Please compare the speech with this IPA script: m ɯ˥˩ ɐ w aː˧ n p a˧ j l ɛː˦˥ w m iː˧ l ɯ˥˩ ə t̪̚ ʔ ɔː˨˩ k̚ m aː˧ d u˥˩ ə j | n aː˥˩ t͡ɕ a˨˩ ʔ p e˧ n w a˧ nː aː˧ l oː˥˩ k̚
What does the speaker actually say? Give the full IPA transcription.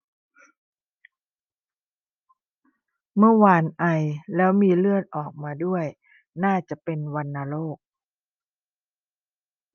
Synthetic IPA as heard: m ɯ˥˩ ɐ w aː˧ n ʔ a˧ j l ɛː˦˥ w m iː˧ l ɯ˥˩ ə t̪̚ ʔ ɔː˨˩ k̚ m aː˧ d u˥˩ ə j | n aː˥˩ t͡ɕ a˨˩ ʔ p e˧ n w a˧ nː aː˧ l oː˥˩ k̚

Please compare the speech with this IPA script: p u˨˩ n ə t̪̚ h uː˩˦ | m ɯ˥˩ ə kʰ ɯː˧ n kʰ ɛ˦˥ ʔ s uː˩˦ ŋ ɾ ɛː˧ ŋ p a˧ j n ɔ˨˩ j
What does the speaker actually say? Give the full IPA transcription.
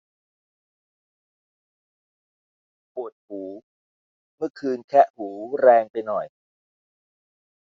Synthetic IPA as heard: p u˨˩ ə t̪̚ h uː˩˦ | m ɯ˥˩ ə kʰ ɯː˧ n kʰ ɛ˦˥ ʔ h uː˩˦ ɾ ɛː˧ ŋ p a˧ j n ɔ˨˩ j

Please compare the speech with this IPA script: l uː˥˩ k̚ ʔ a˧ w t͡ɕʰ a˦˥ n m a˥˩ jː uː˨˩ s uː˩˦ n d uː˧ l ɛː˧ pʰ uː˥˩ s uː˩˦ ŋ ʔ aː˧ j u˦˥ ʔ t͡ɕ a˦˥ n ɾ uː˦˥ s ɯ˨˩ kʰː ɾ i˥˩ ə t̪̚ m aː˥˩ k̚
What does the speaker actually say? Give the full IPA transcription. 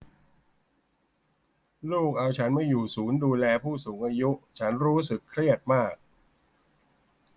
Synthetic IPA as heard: l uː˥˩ k̚ ʔ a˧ w t͡ɕʰ a˦˥ n m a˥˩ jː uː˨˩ s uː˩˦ n d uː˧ l ɛː˧ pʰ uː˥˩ s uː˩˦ ŋ ʔ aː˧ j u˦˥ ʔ t͡ɕʰ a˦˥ n ɾ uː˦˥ s ɯ˨˩ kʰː ɾ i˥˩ ə t̪̚ m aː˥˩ k̚

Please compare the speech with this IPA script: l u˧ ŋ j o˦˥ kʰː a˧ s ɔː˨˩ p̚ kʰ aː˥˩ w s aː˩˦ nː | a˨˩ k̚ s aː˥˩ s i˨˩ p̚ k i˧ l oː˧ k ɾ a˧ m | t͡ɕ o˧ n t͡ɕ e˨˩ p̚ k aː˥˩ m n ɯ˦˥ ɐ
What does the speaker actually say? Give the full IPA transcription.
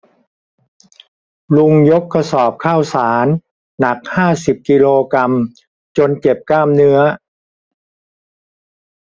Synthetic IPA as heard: l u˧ ŋ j o˦˥ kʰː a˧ s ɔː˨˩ p̚ kʰ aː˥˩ w s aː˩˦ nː | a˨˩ k̚ h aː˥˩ s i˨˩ p̚ k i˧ l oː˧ k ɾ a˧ m | t͡ɕ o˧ n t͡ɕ e˨˩ p̚ k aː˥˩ m n ɯ˦˥ ɐ

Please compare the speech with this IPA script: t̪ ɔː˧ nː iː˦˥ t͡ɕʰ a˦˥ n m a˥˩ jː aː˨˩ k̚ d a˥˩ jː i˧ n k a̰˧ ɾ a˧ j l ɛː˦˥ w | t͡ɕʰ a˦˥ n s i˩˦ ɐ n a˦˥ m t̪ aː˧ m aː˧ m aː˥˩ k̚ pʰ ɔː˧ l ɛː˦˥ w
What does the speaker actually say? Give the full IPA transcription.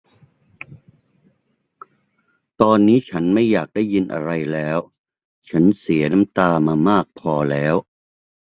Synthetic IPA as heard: t̪ ɔː˧ nː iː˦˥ t͡ɕʰ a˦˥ n m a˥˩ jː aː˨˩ k̚ d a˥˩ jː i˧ n ʔ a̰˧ ɾ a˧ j l ɛː˦˥ w | t͡ɕʰ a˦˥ n s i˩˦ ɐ n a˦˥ m t̪ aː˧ m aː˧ m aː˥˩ k̚ pʰ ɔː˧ l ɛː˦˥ w

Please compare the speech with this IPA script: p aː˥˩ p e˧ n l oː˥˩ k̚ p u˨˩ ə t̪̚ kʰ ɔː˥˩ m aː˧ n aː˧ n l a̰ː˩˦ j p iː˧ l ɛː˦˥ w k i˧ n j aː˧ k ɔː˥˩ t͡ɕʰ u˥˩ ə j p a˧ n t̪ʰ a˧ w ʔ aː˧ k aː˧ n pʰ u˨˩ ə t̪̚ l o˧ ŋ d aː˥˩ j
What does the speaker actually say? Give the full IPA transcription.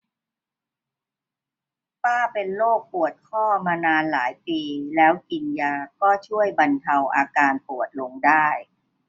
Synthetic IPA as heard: p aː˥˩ p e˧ n l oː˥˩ k̚ p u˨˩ ə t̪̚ kʰ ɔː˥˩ m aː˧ n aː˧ n l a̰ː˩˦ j p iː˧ l ɛː˦˥ w k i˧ n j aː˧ k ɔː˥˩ t͡ɕʰ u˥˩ ə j b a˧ n t̪ʰ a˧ w ʔ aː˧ k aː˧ n p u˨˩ ə t̪̚ l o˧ ŋ d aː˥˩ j

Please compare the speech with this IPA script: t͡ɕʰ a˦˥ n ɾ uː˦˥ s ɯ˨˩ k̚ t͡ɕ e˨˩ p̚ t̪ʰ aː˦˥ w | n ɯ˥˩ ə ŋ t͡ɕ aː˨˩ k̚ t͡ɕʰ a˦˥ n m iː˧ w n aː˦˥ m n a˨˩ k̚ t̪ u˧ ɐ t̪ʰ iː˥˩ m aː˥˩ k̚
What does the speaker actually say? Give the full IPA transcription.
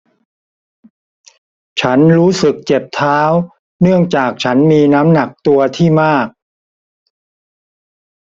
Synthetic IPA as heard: t͡ɕʰ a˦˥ n ɾ uː˦˥ s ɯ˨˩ k̚ t͡ɕ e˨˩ p̚ t̪ʰ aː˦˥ w | n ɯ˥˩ ə ŋ t͡ɕ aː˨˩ k̚ t͡ɕʰ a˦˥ n m iː˧ n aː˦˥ m n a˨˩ k̚ t̪ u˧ ɐ t̪ʰ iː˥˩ m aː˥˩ k̚

